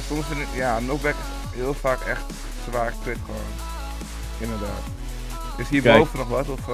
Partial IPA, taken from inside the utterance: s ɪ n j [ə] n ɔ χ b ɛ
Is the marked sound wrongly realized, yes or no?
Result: yes